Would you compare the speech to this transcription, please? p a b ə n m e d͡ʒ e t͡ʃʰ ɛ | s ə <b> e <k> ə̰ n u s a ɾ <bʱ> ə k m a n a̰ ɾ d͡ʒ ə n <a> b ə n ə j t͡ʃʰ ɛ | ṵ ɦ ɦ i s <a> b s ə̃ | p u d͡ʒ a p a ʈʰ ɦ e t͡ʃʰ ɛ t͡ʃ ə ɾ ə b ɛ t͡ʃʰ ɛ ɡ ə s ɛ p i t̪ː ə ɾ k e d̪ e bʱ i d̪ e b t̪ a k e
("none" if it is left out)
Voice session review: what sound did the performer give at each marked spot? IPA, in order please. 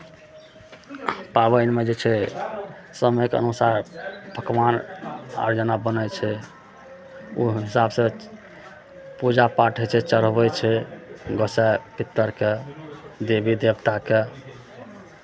m, k, bʱ, a, a

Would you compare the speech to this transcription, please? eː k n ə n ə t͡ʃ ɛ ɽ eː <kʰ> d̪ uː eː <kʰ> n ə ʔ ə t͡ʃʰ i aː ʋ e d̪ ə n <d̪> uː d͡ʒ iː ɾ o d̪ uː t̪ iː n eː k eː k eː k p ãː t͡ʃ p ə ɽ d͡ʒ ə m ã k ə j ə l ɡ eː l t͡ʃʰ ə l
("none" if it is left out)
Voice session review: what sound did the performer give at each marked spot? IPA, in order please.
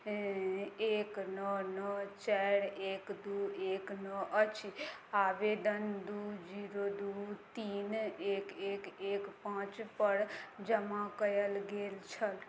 k, k, d̪

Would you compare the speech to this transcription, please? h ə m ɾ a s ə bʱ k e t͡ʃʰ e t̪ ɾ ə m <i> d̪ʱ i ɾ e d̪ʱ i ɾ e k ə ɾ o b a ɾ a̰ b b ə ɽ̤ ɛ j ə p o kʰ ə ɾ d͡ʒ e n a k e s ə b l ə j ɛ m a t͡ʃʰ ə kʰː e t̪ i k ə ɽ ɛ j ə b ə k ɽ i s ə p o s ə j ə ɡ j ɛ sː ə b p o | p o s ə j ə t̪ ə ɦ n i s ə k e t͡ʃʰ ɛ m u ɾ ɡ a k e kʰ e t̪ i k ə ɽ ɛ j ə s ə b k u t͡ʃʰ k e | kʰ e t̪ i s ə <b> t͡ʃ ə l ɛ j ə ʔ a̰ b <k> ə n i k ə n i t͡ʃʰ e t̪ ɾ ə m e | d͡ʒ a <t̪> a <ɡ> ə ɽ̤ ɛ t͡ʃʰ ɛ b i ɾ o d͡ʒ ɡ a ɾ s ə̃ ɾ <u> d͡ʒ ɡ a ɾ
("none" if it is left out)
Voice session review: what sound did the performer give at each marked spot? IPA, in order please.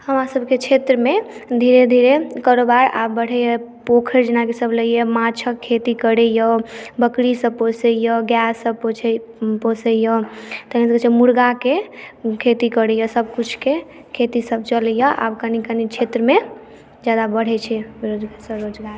e, b, k, d̪, b, o

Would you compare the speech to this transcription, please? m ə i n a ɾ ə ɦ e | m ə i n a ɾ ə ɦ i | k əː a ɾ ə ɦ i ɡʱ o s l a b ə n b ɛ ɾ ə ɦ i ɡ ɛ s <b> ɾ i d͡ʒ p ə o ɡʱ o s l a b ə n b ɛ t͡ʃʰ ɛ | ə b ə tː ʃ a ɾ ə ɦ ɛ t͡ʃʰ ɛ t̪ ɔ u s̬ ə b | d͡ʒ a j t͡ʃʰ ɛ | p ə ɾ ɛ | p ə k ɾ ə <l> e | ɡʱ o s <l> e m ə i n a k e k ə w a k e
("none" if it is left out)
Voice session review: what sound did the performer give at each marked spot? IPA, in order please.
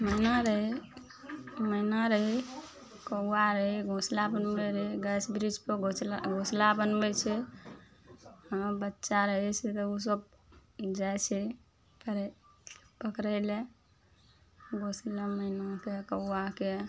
b, l, l

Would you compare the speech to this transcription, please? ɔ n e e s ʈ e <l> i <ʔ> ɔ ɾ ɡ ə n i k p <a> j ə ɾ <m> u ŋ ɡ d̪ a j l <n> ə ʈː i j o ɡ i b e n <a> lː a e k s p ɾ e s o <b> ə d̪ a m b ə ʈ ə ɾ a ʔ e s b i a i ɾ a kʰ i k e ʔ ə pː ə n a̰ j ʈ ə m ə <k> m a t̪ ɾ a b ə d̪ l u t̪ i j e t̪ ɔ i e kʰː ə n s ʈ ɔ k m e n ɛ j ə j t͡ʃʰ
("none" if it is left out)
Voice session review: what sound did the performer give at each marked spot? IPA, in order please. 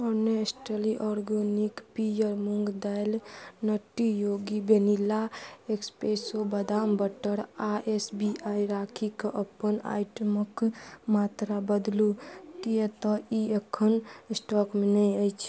l, ʔ, i, m, n, i, b, k

